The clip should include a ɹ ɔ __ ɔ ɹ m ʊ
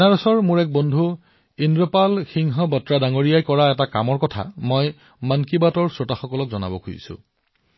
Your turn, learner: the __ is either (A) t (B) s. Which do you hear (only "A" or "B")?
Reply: B